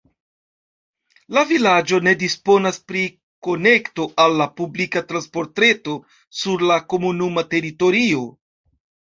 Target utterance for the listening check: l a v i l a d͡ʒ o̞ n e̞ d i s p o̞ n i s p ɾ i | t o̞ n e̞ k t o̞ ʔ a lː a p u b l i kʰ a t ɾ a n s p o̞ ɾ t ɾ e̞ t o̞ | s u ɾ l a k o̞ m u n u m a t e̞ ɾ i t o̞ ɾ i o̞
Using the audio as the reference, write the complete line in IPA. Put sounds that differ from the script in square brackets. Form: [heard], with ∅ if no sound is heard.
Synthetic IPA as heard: l a v i l a d͡ʒ o̞ n e̞ d i s p o̞ n [a] s p ɾ i | [k] o̞ n e̞ k t o̞ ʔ a lː a p u b l i [k] a t ɾ a n s p o̞ ɾ t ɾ e̞ t o̞ | s u ɾ l a k o̞ m u n u m a t e̞ ɾ i t o̞ ɾ i o̞